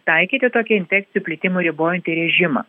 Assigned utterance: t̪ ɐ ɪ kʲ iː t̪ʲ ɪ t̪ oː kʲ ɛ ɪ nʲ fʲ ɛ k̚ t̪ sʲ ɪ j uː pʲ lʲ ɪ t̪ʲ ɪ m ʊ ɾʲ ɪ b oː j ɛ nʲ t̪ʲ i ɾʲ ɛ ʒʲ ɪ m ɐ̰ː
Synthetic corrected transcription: t̪ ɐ ɪ kʲ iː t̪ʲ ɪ t̪ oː kʲ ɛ ɪ nʲ fʲ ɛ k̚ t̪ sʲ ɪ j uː pʲ lʲ ɪ t̪ʲ ɪ m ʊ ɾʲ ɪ b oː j ɛ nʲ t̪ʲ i ɾʲ ɛ ʒʲ ɪ m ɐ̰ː

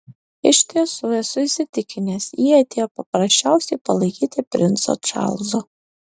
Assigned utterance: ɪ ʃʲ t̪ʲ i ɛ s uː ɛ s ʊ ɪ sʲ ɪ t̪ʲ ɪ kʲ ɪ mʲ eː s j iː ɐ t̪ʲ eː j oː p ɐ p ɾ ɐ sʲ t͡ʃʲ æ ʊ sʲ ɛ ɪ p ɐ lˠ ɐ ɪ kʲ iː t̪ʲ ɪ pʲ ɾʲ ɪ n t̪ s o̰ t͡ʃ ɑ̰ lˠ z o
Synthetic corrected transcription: ɪ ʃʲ t̪ʲ i ɛ s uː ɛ s ʊ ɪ sʲ ɪ t̪ʲ ɪ kʲ ɪ nʲ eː s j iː ɐ t̪ʲ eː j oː p ɐ p ɾ ɐ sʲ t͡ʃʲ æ ʊ sʲ ɛ ɪ p ɐ lˠ ɐ ɪ kʲ iː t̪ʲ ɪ pʲ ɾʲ ɪ n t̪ s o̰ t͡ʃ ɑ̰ lˠ z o

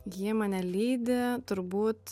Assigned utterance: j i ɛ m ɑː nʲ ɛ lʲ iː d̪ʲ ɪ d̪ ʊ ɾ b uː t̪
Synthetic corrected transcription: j i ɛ m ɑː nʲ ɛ lʲ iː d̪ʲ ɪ t̪ ʊ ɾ b uː t̪

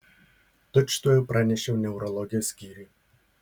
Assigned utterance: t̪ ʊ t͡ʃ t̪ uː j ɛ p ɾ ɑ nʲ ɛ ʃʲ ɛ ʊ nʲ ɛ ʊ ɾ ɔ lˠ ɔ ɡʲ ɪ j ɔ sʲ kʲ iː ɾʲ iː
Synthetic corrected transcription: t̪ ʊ t͡ʃ t̪ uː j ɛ p ɾ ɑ nʲ ɛ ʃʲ ɛ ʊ nʲ ɛ ʊ ɾ ɔ lˠ ɔ ɡʲ ɪ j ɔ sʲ kʲ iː ɾʲ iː

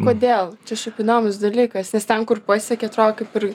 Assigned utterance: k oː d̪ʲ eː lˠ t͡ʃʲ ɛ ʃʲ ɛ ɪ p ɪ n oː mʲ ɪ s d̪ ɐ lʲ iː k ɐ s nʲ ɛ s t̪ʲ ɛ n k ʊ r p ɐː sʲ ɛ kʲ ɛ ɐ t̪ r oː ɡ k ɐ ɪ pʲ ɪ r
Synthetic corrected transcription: k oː d̪ʲ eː lˠ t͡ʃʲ ɛ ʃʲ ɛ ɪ p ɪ n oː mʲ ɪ s d̪ ɐ lʲ iː k ɐ s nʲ ɛ s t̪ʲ ɛ n k ʊ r p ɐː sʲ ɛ kʲ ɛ ɐ t̪ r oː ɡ k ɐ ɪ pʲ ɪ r

